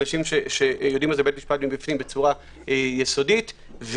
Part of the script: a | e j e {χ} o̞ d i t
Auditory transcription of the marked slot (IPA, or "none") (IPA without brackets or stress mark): s